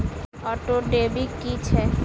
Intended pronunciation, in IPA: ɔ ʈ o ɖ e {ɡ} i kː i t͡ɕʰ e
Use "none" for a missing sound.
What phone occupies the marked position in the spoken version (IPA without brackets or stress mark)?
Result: b